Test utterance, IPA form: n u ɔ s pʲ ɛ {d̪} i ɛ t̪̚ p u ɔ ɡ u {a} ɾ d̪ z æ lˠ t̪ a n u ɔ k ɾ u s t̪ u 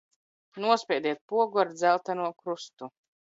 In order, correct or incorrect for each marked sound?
correct, correct

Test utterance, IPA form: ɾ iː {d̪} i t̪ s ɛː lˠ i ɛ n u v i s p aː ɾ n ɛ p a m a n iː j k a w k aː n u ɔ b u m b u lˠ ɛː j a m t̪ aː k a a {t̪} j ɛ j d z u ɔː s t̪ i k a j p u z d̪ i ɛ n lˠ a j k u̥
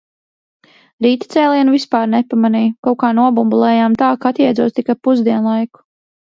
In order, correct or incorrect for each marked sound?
incorrect, correct

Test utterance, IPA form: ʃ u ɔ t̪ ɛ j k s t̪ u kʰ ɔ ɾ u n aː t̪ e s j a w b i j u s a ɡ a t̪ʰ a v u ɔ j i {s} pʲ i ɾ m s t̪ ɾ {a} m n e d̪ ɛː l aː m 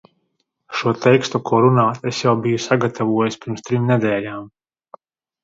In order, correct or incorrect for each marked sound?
correct, incorrect

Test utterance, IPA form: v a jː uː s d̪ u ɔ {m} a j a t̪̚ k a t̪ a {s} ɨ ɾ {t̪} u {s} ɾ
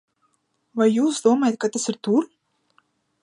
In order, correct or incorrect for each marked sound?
correct, correct, correct, incorrect

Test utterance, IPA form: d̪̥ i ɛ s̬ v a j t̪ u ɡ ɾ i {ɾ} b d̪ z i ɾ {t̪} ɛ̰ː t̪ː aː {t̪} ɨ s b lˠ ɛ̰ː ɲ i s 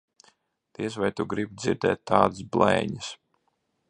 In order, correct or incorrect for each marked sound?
incorrect, incorrect, incorrect

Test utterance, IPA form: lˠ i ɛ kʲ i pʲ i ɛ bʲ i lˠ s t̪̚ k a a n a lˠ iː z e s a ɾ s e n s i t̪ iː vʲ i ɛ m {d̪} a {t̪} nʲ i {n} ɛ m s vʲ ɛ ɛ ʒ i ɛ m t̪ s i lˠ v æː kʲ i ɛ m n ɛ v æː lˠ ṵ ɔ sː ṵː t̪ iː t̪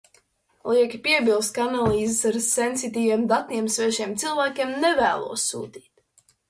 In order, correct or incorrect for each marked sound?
correct, correct, incorrect

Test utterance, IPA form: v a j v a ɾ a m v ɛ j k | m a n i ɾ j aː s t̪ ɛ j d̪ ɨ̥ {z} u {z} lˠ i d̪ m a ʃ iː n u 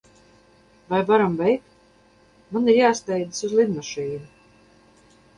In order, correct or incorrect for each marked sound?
incorrect, correct

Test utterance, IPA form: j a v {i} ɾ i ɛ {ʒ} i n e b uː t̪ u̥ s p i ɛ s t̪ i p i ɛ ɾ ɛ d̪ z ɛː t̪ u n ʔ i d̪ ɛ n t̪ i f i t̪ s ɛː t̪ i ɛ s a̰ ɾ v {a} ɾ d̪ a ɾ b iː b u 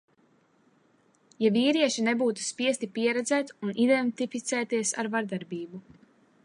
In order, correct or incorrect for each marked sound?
incorrect, incorrect, correct

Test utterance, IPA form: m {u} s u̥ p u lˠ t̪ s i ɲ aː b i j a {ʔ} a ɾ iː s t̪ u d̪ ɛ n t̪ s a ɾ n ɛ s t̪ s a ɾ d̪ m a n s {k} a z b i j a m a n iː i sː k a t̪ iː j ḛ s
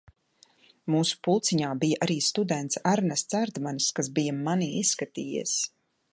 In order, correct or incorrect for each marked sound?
incorrect, correct, correct

